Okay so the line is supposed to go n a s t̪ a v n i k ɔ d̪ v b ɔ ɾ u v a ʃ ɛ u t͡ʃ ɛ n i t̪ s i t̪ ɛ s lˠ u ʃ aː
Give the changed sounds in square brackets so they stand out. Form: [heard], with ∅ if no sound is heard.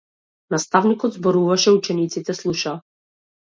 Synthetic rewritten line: n a s t̪ a v n i k ɔ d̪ [z] b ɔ ɾ u v a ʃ ɛ u t͡ʃ ɛ n i t̪ s i t̪ ɛ s lˠ u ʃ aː